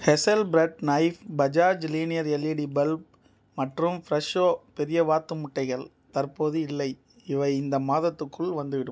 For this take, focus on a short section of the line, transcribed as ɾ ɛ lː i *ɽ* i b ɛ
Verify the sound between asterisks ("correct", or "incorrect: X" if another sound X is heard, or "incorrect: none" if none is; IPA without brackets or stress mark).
correct